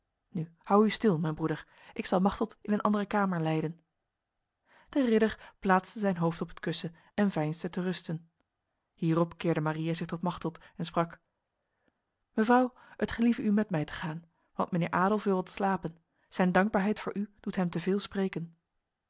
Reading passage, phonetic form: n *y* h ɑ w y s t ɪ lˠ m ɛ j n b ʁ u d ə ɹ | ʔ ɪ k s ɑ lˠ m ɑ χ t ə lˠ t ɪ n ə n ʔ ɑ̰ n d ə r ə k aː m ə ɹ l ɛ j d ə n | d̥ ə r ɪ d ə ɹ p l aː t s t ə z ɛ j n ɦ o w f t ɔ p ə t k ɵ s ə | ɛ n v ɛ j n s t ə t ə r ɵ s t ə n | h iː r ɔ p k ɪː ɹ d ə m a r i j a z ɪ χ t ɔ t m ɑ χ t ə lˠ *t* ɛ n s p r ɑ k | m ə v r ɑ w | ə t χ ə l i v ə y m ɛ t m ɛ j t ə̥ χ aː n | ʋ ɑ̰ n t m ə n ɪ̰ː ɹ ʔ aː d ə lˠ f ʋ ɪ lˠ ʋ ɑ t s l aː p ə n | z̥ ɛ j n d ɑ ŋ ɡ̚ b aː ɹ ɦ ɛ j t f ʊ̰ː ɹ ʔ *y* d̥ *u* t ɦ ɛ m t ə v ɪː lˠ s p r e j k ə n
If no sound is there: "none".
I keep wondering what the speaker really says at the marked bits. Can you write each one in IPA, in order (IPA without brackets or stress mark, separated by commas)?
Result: y, t, y, u